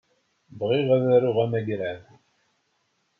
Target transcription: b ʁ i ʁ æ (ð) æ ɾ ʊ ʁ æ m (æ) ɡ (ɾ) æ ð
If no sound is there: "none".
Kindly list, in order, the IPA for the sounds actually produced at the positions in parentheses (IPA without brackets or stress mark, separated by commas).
ð, æ, ɾ